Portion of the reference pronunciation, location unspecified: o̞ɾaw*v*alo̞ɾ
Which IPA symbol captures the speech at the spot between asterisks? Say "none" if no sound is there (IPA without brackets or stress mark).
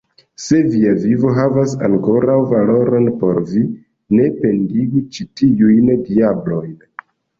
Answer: v